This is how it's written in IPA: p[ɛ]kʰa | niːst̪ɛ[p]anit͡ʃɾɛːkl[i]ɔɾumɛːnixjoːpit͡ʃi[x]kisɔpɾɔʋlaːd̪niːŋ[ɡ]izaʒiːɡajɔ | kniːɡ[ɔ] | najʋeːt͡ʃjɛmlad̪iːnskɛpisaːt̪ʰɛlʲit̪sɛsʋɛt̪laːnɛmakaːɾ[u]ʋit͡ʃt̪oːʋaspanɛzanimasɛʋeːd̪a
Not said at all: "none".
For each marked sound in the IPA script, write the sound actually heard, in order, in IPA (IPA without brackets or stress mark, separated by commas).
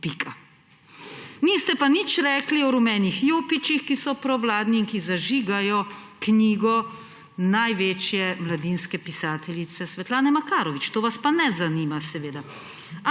i, p, i, x, k, ɔ, ɔ